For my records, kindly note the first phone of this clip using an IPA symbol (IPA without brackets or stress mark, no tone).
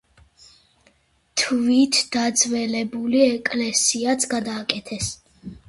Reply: t̪ʰ